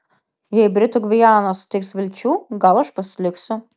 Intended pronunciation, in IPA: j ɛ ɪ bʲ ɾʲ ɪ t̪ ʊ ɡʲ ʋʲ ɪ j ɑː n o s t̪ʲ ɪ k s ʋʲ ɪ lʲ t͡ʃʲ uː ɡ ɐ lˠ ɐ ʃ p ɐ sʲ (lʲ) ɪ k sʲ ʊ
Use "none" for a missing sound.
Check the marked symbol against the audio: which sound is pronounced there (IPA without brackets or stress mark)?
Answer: lʲ